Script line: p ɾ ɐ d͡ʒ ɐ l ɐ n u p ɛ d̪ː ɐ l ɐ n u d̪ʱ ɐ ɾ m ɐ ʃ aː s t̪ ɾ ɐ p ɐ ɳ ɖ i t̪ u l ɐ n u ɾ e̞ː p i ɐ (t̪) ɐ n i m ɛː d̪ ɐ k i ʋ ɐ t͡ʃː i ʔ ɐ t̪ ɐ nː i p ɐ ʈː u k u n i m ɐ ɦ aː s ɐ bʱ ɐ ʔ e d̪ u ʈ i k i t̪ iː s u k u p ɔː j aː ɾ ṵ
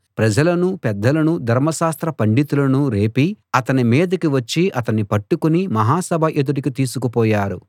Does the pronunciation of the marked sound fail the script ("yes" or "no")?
no